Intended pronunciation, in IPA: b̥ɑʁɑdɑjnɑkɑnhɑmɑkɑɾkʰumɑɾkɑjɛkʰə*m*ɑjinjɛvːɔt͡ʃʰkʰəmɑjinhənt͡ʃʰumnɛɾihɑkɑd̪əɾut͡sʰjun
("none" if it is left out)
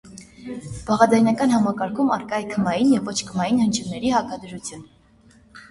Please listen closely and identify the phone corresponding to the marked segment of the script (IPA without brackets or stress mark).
m